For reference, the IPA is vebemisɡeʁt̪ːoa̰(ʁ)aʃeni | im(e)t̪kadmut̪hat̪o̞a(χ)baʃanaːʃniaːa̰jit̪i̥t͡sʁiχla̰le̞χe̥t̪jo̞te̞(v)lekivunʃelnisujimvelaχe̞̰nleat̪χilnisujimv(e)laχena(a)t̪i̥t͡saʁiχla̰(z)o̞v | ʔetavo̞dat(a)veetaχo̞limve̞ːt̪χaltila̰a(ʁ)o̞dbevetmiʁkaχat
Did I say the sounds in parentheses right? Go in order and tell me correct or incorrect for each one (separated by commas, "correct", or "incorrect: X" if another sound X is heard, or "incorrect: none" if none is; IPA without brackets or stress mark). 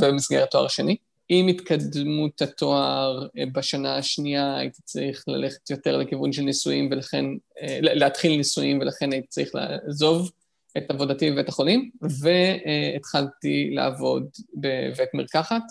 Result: correct, incorrect: i, incorrect: ʁ, incorrect: ʁ, correct, incorrect: i, correct, incorrect: i, incorrect: v